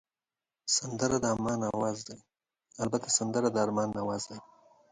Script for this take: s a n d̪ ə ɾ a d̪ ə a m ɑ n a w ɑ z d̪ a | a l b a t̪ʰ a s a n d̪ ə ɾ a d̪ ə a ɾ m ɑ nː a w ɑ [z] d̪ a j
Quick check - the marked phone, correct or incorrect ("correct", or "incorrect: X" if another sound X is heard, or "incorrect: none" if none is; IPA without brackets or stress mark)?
correct